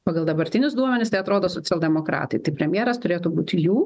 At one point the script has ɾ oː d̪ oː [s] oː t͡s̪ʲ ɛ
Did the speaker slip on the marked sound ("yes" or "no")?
no